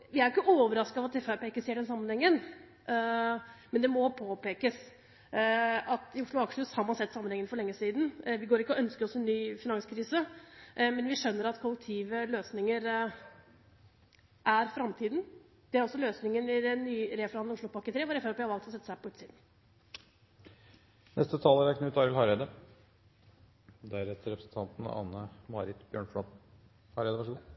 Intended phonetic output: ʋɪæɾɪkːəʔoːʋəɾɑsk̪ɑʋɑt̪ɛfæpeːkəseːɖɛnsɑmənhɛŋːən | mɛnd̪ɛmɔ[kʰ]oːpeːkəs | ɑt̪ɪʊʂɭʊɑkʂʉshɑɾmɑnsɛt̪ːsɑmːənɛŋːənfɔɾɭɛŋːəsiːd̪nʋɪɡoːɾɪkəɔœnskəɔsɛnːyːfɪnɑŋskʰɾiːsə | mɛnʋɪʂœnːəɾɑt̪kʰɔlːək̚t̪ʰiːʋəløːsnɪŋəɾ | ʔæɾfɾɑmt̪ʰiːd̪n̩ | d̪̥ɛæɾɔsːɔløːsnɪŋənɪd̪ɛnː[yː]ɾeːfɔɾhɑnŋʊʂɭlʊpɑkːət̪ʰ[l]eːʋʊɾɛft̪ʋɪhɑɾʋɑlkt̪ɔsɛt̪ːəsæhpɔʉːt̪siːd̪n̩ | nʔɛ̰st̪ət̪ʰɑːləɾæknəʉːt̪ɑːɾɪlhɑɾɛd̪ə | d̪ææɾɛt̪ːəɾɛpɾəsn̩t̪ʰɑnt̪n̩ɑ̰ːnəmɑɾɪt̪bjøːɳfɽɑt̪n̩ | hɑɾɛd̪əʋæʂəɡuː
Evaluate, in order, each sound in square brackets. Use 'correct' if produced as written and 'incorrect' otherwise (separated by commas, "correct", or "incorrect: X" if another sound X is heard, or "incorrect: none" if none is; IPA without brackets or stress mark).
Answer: incorrect: pʰ, correct, incorrect: ɾ